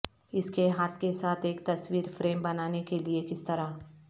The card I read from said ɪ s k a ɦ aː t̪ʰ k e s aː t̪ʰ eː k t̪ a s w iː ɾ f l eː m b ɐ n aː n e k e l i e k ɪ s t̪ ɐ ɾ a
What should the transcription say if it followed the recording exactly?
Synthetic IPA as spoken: ɪ s k e ɦ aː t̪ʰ k e s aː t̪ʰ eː k t̪ ɐ s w iː ɾ f ɾ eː m b ɐ n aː n e k e l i e k ɪ s t̪ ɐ ɾ a